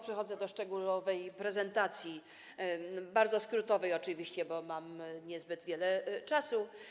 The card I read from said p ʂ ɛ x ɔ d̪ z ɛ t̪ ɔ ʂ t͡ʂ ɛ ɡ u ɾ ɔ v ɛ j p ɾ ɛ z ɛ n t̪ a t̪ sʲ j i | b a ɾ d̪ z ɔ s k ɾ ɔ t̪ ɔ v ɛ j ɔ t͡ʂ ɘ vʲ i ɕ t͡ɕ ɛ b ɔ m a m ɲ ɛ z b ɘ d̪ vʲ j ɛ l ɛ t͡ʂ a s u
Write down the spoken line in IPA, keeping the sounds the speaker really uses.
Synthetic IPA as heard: p ʂ ɛ x ɔ d̪ z ɛ d̪ ɔ ʂ t͡ʂ ɛ ɡ u l ɔ v ɛ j p ɾ ɛ z ɛ n t̪ a t̪ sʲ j i | b a ɾ d̪ z ɔ s k ɾ u t̪ ɔ v ɛ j ɔ t͡ʂ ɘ vʲ i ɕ t͡ɕ ɛ b ɔ m a m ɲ ɛ z b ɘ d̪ vʲ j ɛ l ɛ t͡ʂ a s u